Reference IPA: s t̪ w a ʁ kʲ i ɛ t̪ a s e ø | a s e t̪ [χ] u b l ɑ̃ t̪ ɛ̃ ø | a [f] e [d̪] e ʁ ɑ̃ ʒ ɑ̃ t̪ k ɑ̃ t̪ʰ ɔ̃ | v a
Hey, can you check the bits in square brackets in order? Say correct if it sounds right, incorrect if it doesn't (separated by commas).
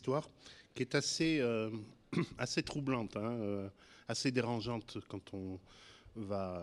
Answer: correct, incorrect, correct